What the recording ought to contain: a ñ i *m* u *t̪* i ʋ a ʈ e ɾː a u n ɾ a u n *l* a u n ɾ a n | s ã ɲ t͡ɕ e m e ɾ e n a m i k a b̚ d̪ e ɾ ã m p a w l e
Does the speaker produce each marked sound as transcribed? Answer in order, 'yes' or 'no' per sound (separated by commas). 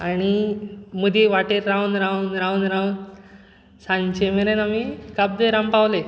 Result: yes, no, no